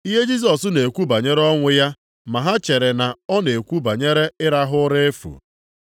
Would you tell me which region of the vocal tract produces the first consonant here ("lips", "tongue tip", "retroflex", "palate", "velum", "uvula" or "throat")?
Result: throat